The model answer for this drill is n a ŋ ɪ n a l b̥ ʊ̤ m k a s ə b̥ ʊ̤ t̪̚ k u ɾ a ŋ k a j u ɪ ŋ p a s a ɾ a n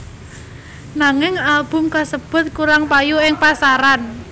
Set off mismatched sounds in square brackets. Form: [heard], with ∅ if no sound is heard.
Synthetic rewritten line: n a ŋ ɪ [ŋ] a l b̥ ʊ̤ m k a s ə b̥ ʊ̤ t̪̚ k u ɾ a ŋ [p] a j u ɪ ŋ p a s a ɾ a n